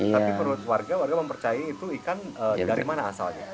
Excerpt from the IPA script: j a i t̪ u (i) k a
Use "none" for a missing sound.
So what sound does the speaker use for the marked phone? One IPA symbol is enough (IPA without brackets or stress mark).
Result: i